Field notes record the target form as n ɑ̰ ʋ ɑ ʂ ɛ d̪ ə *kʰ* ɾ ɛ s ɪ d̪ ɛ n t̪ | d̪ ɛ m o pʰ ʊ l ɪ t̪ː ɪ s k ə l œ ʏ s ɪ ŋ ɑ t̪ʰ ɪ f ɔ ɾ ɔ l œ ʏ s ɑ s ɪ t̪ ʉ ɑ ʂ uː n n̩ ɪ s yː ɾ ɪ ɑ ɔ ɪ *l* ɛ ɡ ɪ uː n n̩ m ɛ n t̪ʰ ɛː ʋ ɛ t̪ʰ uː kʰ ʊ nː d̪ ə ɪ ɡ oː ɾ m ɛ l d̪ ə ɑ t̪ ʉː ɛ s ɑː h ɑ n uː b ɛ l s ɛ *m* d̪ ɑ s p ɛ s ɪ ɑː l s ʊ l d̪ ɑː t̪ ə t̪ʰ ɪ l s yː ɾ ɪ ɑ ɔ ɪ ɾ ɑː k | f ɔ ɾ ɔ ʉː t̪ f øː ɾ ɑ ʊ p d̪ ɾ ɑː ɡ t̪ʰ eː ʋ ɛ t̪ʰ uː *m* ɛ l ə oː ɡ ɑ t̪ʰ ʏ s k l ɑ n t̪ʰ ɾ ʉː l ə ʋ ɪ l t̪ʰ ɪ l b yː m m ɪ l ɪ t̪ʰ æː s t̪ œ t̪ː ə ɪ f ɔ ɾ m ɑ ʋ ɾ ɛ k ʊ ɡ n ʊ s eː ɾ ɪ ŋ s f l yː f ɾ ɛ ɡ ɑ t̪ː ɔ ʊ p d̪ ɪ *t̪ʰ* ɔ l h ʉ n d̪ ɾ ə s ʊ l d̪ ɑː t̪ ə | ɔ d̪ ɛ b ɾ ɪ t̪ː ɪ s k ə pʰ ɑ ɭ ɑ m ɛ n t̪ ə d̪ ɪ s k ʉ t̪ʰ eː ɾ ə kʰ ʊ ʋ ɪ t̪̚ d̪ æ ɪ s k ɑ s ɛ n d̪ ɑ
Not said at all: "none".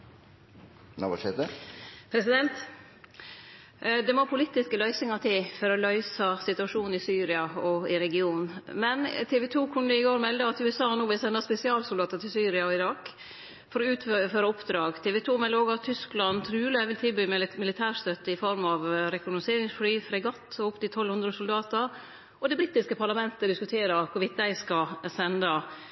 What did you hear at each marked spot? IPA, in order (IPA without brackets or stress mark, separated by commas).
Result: pʰ, ɾ, n, m, t̪ʰ